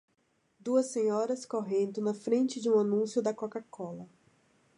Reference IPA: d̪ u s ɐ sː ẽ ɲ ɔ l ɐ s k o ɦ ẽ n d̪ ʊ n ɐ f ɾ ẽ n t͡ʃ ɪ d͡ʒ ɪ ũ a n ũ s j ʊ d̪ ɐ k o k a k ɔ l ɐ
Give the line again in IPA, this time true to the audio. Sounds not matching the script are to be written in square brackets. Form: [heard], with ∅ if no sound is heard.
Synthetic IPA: d̪ u [∅] ɐ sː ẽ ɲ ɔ [ɾ] ɐ s k o ɦ ẽ n d̪ ʊ n ɐ f ɾ ẽ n t͡ʃ ɪ d͡ʒ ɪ ũ a n ũ s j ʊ d̪ ɐ k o k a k ɔ l ɐ